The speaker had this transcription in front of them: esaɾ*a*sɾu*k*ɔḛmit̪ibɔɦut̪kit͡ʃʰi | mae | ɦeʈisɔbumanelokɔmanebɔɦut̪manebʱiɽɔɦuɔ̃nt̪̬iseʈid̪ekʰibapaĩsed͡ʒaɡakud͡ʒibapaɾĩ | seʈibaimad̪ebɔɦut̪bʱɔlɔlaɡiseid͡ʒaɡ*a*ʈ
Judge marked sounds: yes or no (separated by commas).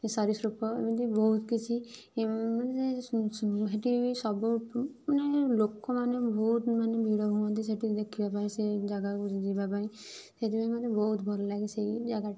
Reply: no, no, yes